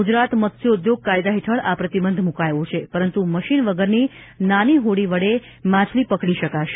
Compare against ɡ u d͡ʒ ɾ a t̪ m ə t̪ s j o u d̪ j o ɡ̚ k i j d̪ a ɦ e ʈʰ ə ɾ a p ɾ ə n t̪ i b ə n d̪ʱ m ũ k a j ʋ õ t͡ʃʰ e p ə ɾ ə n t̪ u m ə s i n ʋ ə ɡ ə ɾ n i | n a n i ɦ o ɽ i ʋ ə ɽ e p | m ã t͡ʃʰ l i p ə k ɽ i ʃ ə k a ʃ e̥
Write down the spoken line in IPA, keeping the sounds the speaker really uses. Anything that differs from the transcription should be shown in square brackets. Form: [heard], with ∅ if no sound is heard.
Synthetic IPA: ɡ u d͡ʒ ɾ a t̪ m ə t̪ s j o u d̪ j o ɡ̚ k [a] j d̪ a ɦ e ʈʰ ə [ɭ] a p ɾ ə [∅] t̪ i b ə n d̪ʱ m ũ k a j ʋ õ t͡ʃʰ e p ə ɾ ə n t̪ u m ə [ʃ] i n ʋ ə ɡ ə ɾ n i | n a n i ɦ o ɽ i ʋ ə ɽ e [∅] | m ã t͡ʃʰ l i p ə k ɽ i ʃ ə k a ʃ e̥